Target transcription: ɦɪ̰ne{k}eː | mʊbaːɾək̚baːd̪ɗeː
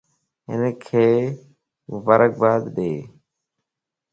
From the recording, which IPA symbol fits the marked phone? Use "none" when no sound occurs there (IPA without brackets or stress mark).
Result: kʰ